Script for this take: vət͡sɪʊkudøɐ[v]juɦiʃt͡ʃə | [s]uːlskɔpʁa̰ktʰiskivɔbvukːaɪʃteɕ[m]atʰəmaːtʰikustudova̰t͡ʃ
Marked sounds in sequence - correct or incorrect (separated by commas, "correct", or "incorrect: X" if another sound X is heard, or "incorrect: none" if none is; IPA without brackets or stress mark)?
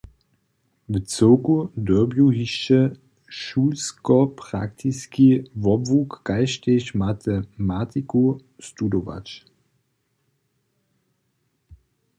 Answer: incorrect: b, incorrect: ʃ, correct